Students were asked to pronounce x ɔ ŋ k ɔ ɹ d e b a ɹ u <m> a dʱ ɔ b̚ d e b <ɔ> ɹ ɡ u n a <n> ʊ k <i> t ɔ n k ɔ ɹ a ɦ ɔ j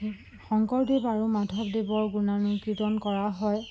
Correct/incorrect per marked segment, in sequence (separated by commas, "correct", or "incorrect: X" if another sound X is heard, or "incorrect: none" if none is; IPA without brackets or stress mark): correct, correct, correct, correct